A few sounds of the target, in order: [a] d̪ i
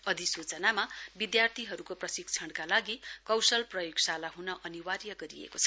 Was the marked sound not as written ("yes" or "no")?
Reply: yes